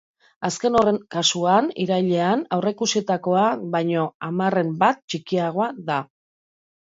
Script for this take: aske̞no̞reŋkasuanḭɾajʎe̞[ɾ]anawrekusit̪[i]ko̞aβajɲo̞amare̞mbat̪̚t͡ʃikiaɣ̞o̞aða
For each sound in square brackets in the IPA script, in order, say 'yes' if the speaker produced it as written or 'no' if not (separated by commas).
no, no